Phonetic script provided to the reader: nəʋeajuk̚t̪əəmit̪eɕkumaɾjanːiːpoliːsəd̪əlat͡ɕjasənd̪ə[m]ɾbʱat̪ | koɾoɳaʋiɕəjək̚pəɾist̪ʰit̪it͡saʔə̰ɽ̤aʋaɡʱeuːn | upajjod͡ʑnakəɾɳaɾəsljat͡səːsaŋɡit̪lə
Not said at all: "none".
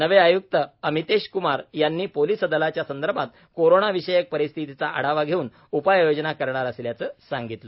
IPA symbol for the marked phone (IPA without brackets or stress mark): none